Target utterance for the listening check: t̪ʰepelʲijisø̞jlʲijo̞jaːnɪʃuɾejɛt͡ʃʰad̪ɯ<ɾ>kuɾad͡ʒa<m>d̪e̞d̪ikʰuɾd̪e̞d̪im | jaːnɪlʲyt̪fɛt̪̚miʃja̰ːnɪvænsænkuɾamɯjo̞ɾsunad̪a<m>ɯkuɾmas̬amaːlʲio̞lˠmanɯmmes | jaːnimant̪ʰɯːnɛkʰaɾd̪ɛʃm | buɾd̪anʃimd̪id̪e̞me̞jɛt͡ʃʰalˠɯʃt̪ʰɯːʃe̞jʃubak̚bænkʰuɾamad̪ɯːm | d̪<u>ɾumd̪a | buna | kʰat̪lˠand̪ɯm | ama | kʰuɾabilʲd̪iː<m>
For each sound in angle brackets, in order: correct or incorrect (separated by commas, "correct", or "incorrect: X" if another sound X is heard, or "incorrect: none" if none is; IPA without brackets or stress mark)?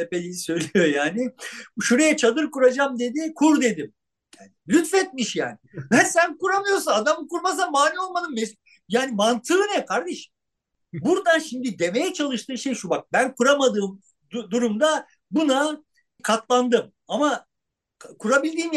correct, correct, correct, correct, correct